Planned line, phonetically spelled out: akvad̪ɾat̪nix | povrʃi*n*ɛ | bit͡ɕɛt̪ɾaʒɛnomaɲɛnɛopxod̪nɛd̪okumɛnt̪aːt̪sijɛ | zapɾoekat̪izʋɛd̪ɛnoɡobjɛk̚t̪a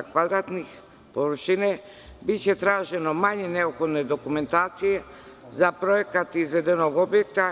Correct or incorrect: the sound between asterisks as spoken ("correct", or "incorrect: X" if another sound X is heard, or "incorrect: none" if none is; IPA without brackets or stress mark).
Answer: correct